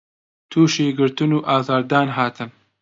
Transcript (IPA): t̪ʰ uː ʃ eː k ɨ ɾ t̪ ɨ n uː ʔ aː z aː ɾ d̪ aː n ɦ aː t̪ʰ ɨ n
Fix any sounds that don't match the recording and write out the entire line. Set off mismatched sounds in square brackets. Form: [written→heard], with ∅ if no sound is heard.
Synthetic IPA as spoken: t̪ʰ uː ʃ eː [k→ɡ] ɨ ɾ t̪ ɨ n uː ʔ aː z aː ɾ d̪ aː n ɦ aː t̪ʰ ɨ n